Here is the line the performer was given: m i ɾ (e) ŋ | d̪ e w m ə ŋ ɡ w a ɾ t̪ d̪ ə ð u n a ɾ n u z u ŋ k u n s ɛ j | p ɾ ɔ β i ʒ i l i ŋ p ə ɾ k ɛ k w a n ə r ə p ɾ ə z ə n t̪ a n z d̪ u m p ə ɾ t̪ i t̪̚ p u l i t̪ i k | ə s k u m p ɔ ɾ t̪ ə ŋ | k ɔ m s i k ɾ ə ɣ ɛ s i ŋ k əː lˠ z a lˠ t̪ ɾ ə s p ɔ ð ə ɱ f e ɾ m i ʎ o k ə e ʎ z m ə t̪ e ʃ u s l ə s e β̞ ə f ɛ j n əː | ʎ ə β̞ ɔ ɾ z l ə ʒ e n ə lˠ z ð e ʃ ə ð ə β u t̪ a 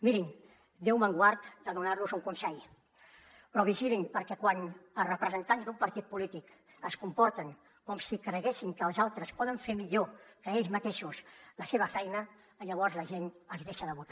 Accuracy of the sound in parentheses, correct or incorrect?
incorrect